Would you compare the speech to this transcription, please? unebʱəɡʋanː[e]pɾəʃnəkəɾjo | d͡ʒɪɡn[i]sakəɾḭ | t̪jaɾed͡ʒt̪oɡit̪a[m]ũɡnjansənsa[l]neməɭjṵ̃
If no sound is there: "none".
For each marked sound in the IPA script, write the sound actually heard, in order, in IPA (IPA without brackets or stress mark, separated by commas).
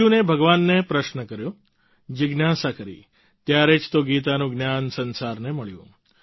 e, a, n, ɾ